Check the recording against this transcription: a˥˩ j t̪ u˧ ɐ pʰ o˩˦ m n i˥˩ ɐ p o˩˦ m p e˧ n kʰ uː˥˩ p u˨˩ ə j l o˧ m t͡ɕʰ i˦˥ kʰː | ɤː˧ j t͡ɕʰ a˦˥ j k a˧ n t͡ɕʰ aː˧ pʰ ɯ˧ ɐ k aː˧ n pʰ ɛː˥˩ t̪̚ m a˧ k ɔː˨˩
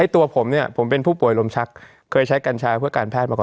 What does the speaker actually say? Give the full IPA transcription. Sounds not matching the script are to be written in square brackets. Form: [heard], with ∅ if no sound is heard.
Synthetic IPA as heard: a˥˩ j t̪ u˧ ɐ pʰ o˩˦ m n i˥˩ ɐ [pʰ] o˩˦ m p e˧ n [pʰ] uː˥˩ p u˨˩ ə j l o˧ m t͡ɕʰ [a˦˥] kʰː | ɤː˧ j t͡ɕʰ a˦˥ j k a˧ n t͡ɕʰ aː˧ pʰ [ɯ˥˩] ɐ k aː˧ n pʰ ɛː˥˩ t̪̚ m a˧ k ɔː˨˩